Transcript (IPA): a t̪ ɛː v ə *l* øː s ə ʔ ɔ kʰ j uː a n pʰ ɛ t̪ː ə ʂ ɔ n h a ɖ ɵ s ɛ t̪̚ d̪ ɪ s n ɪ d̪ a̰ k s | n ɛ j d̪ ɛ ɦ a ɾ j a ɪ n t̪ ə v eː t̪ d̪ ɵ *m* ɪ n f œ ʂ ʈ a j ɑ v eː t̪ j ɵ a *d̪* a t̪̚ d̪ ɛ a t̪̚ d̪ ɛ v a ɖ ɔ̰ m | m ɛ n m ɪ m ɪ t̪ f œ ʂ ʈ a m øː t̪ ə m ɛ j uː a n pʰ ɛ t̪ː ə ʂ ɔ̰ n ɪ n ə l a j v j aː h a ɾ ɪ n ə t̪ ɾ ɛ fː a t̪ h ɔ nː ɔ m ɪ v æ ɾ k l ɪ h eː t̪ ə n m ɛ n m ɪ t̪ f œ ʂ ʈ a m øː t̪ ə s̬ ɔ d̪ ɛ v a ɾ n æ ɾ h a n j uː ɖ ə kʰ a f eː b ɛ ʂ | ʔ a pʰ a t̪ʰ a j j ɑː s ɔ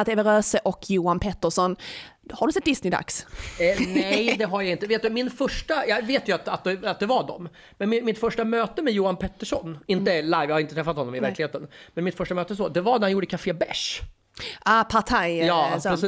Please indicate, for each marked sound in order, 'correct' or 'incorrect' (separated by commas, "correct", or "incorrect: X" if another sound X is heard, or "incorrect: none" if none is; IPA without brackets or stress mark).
incorrect: ɾ, correct, incorrect: t̪